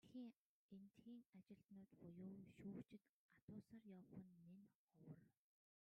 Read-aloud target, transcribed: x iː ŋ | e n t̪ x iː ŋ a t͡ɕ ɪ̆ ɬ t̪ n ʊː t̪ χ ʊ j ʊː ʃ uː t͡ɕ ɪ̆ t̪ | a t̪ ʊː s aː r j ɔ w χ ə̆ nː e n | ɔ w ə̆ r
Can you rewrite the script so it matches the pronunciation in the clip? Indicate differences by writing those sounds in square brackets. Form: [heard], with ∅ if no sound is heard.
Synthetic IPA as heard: x iː ŋ | e n t̪ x iː ŋ a t͡ɕ ɪ̆ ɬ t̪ n ʊː t̪ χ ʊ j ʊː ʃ uː t͡ɕ ɪ̆ t̪ | a t̪ ʊː s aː r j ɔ w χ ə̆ nː e n | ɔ w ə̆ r

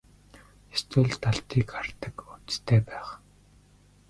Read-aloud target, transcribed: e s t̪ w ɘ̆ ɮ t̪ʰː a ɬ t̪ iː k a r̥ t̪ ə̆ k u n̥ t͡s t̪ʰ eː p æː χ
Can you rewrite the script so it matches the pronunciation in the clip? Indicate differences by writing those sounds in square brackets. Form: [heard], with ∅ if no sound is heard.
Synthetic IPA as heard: e s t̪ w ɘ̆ ɮ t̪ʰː a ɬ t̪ iː k a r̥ t̪ ə̆ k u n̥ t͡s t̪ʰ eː p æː χ

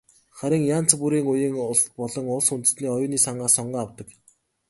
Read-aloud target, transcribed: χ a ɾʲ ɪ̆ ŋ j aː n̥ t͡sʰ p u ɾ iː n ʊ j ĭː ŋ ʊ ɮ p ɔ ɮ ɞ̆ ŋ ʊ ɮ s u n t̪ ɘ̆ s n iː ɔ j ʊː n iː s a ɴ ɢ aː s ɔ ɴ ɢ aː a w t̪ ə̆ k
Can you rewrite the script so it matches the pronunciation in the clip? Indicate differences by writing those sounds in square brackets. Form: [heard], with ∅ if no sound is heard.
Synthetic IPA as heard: χ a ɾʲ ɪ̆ ŋ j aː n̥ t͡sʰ p u ɾ iː [ŋ] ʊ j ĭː ŋ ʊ ɮ p ɔ ɮ ɞ̆ ŋ ʊ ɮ s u n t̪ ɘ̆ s n iː ɔ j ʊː n iː s a ɴ ɢ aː s ɔ ɴ ɢ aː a w t̪ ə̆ k

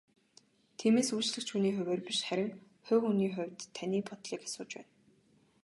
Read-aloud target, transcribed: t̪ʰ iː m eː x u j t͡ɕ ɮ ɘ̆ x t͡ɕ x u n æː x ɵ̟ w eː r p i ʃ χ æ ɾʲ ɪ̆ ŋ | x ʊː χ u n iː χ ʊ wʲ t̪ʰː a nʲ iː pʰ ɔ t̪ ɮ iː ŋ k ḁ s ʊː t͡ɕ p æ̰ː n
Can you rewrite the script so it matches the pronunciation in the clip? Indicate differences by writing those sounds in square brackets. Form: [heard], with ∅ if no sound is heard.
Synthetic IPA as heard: t̪ʰ iː m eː [s] u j t͡ɕ ɮ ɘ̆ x t͡ɕ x u n [iː] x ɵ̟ w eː r p i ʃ χ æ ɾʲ ɪ̆ ŋ | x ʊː [x] u n iː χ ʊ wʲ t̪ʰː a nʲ iː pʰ ɔ t̪ ɮ iː [∅] k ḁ s ʊː t͡ɕ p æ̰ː n

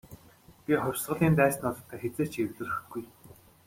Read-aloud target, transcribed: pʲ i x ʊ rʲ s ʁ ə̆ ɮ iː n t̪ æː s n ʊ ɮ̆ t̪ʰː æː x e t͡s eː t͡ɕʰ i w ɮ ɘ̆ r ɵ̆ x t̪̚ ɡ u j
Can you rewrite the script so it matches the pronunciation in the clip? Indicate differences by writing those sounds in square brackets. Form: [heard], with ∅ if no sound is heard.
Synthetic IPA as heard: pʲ i [χ] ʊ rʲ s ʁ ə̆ ɮ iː n t̪ æː s n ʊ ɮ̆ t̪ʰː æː x e t͡s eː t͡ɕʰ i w ɮ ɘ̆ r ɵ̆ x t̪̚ ɡ u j

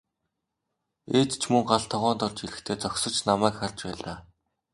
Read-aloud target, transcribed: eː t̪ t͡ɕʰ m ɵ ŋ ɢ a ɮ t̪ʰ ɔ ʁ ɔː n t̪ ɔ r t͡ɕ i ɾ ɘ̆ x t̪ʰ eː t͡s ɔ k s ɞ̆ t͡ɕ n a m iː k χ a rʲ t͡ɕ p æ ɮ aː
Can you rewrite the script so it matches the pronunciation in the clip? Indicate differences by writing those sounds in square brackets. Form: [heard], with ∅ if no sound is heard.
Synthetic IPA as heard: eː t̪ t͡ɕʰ m ɵ ŋ ɢ a ɮ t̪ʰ ɔ ʁ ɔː n t̪ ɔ r t͡ɕ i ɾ ɘ̆ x t̪ʰ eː t͡s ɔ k s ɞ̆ t͡ɕ n a m [æː] k χ a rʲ t͡ɕ p [æː] ɮ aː

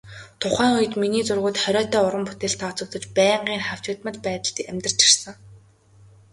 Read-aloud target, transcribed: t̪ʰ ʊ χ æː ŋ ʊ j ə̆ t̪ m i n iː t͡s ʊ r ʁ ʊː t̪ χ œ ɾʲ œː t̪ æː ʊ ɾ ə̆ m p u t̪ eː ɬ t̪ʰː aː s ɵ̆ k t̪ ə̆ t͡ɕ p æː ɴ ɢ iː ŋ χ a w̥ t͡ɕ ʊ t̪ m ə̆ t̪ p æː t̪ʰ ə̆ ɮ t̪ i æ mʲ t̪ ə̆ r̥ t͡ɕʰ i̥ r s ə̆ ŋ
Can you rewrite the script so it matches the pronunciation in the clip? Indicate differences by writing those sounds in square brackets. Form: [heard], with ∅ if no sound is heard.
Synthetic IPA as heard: t̪ʰ ʊ χ æː ŋ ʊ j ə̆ t̪ m i n iː t͡s ʊ r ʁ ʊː t̪ χ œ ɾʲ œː t̪ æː ʊ ɾ ə̆ m p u t̪ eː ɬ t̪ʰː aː [t͡s] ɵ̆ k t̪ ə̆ t͡ɕ p æː ɴ ɢ iː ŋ χ a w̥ t͡ɕ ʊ t̪ m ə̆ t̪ p æː [t̪] ə̆ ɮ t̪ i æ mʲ t̪ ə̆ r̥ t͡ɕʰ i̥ r s ə̆ ŋ

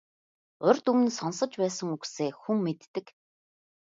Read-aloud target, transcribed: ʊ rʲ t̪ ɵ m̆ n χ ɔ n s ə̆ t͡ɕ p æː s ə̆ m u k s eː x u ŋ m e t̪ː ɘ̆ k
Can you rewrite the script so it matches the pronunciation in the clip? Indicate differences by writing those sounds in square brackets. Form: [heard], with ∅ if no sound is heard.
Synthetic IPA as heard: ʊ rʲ t̪ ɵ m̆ n [s] ɔ n s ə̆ t͡ɕ p æː s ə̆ [ŋ] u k s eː x u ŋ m e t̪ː ɘ̆ k

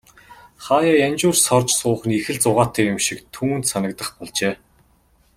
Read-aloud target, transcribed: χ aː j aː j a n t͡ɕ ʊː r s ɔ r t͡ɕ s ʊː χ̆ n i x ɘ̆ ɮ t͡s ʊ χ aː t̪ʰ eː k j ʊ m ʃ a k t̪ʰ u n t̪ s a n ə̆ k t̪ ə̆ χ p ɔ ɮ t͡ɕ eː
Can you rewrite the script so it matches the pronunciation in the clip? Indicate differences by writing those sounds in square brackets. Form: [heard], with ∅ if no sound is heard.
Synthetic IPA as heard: χ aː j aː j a n t͡ɕ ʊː r s ɔ r t͡ɕ s ʊː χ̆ n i x ɘ̆ ɮ t͡s ʊ [ʁ] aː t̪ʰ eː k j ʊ m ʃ [i] k t̪ʰ [uː] n t̪ s a n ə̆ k t̪ ə̆ χ p ɔ ɮ t͡ɕ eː

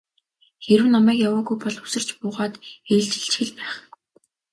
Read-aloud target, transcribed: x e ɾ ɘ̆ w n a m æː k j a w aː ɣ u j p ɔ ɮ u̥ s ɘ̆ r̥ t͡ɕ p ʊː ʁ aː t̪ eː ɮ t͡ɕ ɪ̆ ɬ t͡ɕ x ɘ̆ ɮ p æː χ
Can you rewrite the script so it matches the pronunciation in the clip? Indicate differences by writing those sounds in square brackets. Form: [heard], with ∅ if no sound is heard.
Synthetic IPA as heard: x e ɾ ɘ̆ w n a m æː k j a w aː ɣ u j p ɔ ɮ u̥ s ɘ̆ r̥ t͡ɕ p ʊː ʁ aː t̪ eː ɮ t͡ɕ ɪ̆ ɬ t͡ɕ x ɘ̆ ɮ p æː χ

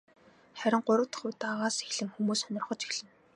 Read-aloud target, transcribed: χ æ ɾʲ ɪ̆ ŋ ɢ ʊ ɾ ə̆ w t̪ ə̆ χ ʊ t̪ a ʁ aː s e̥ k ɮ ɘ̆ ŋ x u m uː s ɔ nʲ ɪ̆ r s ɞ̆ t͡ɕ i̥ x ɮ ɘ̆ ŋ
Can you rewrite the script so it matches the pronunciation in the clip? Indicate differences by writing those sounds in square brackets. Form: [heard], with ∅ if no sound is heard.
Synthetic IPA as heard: χ æ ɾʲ ɪ̆ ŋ ɢ ʊ ɾ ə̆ w t̪ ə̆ χ ʊ t̪ a ʁ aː s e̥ [x] ɮ ɘ̆ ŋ x u m uː s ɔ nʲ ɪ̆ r [χ] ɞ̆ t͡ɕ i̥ x ɮ ɘ̆ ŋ

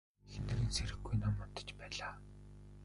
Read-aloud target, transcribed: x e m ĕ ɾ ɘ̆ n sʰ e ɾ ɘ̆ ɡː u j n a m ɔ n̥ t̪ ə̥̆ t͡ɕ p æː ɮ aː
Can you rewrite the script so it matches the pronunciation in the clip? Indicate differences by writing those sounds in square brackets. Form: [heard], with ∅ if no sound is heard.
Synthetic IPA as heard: x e [n] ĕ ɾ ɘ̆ n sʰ e ɾ ɘ̆ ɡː u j n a m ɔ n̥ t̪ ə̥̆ t͡ɕ p æː ɮ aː

